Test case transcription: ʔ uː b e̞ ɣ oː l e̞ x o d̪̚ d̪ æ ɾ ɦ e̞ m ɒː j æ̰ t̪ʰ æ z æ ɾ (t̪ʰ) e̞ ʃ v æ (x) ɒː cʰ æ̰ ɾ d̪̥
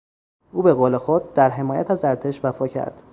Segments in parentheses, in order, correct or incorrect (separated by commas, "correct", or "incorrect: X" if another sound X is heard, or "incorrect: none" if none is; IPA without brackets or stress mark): correct, incorrect: f